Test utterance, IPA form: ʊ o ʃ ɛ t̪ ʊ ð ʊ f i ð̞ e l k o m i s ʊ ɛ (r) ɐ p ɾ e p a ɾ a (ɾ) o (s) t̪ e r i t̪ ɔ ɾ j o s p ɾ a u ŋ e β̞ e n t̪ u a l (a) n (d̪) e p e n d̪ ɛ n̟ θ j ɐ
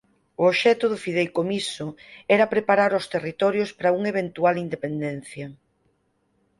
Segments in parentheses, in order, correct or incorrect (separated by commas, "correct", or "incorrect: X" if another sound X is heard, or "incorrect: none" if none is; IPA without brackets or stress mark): incorrect: ɾ, correct, correct, incorrect: i, correct